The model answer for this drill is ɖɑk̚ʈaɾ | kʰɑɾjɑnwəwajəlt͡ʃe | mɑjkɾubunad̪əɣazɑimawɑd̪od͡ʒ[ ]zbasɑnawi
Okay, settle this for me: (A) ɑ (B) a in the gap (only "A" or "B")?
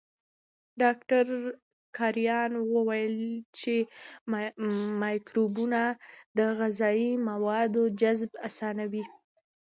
B